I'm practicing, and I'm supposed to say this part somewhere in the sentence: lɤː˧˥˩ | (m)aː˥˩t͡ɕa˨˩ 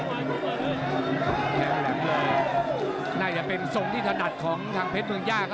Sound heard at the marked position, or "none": n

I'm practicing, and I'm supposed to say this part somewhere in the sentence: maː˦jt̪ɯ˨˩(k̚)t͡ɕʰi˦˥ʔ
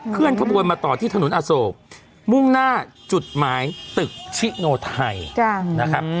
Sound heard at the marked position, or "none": k̚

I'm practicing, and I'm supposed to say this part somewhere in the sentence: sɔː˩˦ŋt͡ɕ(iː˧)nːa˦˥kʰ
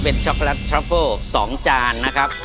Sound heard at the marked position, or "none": aː˧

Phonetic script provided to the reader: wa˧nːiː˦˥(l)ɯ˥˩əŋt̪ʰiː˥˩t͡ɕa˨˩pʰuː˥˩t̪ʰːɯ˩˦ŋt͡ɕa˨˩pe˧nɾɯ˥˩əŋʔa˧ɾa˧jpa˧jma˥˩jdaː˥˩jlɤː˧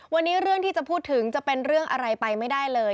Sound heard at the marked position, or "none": ɾ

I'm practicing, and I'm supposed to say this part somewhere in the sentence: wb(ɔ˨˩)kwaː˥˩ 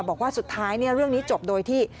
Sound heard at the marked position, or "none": ɔː˨˩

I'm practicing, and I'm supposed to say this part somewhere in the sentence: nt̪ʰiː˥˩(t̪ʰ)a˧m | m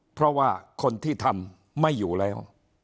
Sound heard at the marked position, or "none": t̪ʰ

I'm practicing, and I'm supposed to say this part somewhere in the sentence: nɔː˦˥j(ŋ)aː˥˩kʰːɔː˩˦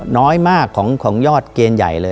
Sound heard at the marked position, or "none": m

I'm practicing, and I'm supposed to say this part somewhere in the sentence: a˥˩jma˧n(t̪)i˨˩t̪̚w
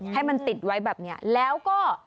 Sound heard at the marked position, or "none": t̪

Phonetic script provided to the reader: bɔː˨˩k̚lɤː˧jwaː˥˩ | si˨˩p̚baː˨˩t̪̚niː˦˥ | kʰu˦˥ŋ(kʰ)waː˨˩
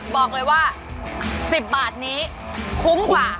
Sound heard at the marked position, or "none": k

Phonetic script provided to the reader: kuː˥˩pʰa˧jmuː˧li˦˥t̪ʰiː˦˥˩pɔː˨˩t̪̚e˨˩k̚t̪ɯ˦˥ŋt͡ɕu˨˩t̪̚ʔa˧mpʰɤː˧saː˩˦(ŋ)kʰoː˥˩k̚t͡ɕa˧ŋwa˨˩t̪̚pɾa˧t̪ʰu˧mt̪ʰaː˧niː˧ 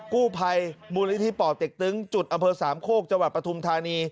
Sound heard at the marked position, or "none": m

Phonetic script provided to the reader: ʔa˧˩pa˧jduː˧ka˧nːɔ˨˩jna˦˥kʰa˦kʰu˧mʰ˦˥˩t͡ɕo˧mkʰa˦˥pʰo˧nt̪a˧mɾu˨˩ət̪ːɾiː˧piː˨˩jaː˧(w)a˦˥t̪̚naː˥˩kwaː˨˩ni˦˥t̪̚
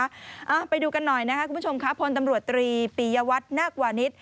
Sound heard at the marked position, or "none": w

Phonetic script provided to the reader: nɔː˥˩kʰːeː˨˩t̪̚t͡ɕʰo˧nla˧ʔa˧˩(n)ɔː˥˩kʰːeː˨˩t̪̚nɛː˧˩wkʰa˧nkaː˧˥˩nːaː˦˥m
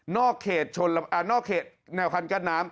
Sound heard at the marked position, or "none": n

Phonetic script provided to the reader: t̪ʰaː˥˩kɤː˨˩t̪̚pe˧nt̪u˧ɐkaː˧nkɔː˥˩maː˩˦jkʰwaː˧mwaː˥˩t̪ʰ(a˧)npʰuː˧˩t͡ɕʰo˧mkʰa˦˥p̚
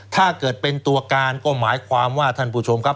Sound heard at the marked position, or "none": a˥˩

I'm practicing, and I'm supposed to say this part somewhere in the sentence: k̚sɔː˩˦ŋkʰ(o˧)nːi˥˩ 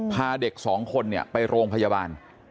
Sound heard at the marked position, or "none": o˧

